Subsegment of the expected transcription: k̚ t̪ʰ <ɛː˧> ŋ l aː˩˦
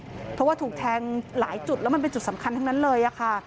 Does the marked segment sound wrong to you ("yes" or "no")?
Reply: no